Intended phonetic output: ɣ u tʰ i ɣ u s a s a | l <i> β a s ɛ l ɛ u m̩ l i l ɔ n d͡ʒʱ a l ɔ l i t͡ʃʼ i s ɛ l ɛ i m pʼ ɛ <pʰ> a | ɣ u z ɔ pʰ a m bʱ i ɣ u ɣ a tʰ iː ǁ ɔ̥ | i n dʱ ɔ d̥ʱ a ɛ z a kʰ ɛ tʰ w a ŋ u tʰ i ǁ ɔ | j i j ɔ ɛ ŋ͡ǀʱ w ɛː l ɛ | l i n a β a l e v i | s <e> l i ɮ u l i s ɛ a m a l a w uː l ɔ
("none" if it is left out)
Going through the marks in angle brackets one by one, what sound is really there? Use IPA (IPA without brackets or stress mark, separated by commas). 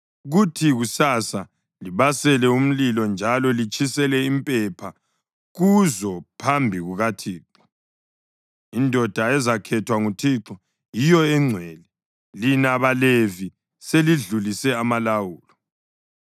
i, pʰ, e